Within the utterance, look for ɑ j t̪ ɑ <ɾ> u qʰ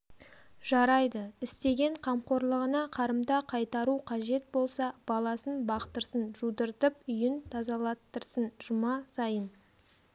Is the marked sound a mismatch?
no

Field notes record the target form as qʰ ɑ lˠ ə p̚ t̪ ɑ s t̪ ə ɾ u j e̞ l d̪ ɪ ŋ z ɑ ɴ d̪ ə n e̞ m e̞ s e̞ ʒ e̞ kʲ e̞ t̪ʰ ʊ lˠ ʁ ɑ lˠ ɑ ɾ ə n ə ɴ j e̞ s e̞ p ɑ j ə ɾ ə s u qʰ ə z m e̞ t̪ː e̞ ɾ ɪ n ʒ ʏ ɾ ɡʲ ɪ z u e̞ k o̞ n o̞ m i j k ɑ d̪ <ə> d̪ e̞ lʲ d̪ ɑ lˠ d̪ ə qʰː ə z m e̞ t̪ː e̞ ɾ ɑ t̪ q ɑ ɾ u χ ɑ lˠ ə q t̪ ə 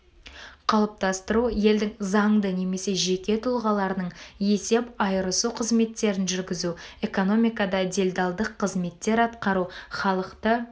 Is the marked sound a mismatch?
yes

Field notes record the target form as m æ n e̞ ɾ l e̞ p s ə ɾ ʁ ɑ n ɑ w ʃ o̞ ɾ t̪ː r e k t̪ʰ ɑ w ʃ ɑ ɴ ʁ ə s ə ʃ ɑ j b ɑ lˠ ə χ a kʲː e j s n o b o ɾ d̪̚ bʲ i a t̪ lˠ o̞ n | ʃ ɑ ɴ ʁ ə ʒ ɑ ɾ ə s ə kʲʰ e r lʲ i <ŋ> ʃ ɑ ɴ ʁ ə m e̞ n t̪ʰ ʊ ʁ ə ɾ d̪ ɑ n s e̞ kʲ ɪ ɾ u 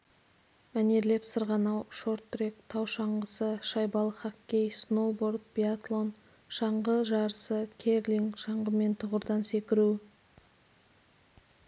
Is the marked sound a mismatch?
no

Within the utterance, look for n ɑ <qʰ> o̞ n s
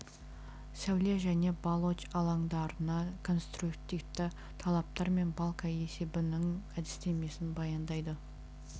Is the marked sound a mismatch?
yes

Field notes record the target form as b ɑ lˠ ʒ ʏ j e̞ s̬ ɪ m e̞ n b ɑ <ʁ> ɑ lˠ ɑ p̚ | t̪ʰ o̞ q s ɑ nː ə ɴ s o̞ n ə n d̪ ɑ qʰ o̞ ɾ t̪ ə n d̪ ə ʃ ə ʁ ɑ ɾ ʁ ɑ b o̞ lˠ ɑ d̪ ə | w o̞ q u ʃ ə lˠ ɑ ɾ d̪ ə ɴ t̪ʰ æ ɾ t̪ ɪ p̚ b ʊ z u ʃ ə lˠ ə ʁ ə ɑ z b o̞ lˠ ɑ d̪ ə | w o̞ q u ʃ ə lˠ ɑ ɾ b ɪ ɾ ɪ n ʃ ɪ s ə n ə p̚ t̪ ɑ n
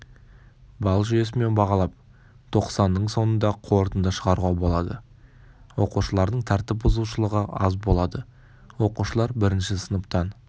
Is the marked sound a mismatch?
no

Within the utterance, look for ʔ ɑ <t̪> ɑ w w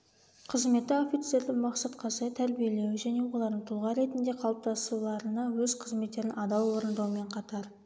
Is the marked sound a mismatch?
yes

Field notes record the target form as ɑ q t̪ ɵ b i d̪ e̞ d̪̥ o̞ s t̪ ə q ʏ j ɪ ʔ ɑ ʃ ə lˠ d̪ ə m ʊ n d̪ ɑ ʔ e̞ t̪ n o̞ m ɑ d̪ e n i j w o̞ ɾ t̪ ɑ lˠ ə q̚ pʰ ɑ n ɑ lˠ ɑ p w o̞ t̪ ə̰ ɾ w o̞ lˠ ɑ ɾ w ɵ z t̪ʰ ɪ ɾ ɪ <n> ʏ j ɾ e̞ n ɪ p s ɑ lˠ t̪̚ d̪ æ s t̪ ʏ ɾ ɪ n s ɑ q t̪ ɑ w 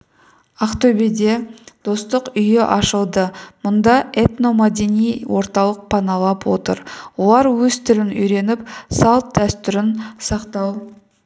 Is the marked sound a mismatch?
no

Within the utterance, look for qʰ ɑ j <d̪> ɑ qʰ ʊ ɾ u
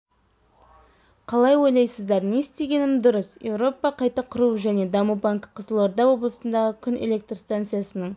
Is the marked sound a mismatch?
yes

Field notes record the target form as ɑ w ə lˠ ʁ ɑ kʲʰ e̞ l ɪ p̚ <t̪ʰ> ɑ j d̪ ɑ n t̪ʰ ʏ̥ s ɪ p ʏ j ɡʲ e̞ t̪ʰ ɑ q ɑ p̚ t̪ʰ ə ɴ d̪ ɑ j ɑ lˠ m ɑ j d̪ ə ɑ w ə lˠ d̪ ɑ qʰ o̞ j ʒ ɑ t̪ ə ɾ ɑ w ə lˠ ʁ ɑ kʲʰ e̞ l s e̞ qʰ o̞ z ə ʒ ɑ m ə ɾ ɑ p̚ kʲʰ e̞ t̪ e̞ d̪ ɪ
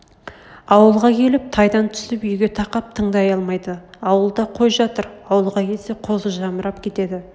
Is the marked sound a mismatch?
no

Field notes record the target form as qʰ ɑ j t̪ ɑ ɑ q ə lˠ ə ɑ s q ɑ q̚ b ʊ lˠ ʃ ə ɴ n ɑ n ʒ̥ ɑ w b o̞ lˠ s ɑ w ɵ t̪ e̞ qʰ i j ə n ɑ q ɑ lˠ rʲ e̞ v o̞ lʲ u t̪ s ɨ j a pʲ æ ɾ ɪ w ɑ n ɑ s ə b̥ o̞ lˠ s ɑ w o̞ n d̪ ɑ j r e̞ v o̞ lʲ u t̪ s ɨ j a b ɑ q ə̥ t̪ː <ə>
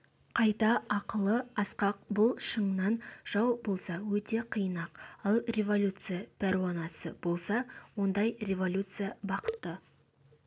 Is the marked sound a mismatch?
no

